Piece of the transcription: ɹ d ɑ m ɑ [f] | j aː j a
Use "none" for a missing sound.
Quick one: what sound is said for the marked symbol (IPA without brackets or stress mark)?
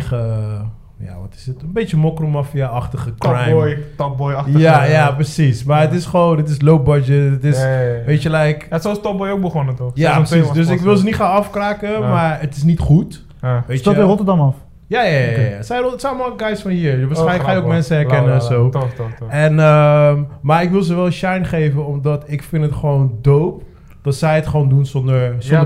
f